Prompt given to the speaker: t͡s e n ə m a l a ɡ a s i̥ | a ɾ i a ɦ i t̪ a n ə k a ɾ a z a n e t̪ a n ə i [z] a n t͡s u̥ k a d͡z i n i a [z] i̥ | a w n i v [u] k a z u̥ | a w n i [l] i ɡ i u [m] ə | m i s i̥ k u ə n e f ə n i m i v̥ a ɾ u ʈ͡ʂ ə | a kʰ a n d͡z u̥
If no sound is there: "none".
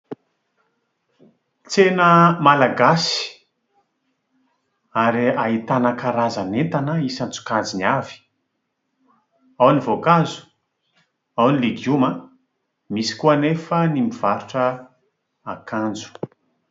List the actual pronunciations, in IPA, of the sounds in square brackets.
s, v, o, l, m

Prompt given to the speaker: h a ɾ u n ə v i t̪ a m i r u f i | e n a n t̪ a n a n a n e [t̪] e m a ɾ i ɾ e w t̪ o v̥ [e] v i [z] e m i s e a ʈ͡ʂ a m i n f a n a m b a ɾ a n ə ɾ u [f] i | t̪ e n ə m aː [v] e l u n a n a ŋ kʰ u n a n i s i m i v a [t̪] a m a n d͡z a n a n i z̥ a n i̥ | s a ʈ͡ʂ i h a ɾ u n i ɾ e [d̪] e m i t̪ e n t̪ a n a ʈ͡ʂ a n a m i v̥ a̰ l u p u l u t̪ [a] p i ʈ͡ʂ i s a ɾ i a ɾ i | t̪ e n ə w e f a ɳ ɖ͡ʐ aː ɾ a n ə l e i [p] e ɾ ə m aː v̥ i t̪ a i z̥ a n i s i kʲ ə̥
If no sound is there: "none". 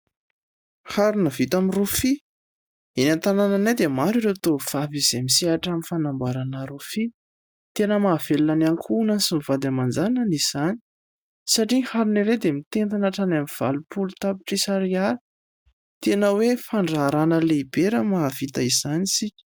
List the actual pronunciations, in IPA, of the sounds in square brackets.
d̪, a, z, f, v, d̪, d̪, a, b

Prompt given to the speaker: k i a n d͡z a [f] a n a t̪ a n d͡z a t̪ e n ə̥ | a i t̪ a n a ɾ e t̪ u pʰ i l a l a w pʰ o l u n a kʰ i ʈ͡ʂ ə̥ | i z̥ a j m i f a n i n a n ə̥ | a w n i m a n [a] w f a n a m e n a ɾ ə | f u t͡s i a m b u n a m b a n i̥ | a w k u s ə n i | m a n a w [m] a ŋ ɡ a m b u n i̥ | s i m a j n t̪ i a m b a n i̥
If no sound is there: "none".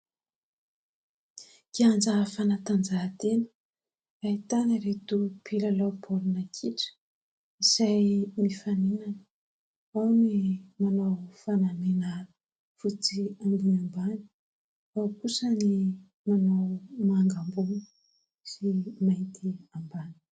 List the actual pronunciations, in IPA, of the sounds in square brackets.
f, a, m

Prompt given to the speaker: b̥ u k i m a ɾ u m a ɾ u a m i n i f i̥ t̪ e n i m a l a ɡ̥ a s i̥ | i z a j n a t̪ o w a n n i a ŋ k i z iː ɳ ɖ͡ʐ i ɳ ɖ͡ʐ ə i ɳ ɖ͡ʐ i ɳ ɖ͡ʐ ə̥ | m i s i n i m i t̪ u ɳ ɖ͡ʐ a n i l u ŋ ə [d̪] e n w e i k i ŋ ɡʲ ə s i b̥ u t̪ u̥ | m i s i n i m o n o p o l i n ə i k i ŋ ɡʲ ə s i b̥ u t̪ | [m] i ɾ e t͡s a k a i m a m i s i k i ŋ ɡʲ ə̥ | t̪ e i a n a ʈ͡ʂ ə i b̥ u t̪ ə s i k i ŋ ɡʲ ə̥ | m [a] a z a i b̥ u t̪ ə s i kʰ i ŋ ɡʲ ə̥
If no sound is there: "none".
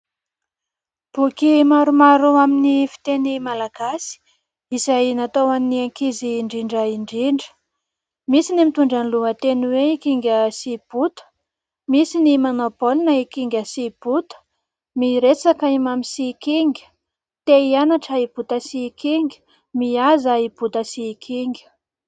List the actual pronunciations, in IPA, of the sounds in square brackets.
t̪, m, i

